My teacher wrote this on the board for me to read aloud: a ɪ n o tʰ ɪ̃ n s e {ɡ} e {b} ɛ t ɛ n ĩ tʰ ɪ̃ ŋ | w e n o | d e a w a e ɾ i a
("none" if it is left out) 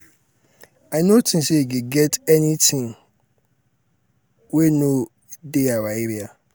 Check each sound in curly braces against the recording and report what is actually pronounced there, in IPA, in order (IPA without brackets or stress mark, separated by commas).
ɡ, ɡ